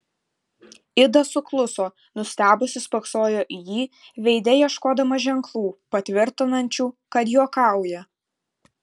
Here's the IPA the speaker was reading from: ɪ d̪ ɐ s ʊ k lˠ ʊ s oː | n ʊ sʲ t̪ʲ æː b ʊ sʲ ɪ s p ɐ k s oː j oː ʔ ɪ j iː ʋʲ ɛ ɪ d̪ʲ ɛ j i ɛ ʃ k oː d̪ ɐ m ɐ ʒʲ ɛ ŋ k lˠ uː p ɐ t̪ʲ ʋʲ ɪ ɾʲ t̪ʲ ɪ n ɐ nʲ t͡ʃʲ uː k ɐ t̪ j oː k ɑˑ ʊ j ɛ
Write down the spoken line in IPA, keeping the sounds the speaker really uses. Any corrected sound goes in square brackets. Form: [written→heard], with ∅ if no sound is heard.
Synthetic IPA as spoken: ɪ d̪ ɐ s ʊ k lˠ ʊ s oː | n ʊ sʲ t̪ʲ æː b ʊ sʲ ɪ s p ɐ k s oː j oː ʔ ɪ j iː ʋʲ ɛ ɪ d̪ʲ ɛ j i ɛ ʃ k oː d̪ ɐ m ɐ ʒʲ ɛ ŋ k lˠ uː p ɐ t̪ʲ ʋʲ ɪ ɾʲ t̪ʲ ɪ n ɐ nʲ t͡ʃʲ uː k ɐ t̪ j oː k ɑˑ ʊ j ɛ